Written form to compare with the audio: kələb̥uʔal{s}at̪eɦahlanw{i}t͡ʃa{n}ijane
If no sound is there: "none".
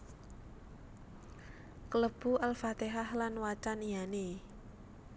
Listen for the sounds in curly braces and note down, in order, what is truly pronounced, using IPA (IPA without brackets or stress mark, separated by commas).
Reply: f, a, n